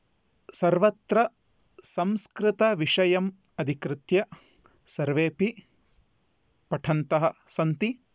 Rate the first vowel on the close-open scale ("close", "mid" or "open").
open